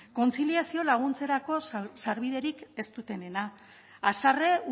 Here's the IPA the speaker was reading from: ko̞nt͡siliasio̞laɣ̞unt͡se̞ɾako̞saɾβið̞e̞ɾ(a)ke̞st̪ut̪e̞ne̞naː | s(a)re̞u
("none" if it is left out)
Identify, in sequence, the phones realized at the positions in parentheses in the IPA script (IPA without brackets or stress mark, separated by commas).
i, a